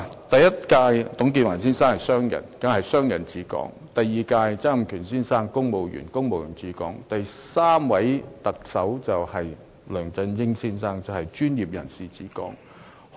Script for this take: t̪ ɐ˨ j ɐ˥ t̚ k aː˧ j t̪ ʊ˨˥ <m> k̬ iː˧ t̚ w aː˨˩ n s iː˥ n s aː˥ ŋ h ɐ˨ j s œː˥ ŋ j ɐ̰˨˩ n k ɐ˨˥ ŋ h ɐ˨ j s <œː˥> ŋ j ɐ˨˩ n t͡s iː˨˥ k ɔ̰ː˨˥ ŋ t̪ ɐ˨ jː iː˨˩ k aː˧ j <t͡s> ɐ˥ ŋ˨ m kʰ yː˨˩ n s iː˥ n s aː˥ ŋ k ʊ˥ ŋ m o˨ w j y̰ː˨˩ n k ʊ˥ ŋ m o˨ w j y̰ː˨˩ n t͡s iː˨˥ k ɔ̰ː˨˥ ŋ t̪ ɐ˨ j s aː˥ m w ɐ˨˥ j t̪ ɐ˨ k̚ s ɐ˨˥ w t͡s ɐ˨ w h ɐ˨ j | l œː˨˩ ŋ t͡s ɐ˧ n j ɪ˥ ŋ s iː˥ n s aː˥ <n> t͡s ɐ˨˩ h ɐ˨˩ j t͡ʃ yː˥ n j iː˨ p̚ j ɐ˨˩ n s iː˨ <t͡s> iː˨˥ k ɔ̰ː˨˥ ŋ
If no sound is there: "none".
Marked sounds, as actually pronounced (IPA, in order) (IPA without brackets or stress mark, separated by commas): ŋ, œː˥, t͡s, ŋ, t͡s